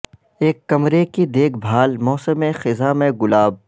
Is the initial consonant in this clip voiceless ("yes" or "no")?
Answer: yes